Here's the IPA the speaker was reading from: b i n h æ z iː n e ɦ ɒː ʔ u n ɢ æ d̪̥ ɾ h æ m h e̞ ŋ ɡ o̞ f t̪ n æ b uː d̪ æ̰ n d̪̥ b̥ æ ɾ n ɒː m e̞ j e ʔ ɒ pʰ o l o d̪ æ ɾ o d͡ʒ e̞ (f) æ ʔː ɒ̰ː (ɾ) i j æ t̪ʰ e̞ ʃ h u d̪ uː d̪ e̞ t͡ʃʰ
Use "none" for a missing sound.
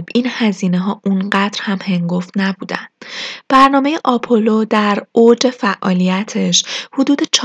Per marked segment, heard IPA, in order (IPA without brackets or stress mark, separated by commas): f, l